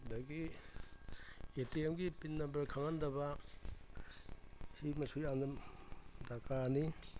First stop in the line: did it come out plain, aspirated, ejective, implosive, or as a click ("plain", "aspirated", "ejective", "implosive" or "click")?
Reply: plain